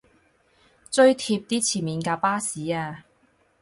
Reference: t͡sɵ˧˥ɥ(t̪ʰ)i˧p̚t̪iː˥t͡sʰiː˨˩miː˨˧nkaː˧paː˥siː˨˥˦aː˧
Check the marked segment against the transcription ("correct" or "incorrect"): correct